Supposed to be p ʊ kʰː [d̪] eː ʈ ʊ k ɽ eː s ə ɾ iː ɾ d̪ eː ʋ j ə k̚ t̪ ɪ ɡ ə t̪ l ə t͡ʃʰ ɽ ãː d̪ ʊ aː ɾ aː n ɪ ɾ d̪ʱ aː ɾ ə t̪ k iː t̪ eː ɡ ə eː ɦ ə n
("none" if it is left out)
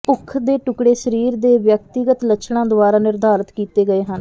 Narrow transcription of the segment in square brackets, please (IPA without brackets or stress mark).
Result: d̪